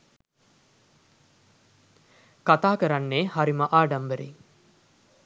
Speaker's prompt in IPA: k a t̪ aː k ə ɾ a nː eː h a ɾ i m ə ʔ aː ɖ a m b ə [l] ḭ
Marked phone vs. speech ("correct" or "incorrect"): incorrect